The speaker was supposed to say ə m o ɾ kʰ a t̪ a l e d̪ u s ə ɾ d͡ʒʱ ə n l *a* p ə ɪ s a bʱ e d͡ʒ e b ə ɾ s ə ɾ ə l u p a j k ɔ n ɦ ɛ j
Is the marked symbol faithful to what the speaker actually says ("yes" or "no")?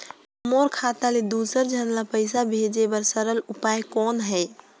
yes